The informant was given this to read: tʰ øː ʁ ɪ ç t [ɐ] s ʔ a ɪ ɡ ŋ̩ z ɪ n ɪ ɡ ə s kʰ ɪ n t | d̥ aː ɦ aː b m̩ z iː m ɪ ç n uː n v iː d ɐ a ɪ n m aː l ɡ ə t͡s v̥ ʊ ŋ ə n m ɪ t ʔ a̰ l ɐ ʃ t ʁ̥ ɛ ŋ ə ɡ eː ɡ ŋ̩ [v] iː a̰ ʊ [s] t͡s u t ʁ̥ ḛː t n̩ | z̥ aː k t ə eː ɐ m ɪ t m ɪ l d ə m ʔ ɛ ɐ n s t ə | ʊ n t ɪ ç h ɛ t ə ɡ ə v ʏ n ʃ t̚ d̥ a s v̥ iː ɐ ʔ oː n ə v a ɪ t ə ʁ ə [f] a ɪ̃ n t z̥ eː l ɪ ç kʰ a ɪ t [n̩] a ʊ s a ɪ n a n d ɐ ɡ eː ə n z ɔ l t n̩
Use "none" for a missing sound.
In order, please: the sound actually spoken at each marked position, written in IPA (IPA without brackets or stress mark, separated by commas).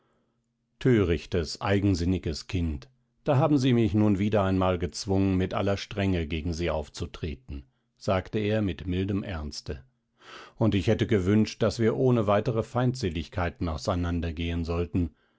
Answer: ə, z, f, f, n̩